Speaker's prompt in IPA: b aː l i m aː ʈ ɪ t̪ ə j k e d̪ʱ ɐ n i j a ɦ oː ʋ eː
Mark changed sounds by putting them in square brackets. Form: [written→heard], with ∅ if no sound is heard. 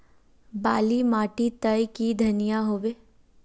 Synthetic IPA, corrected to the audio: b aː l i m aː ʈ [ɪ→i] t̪ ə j k [e→i] d̪ʱ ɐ n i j a ɦ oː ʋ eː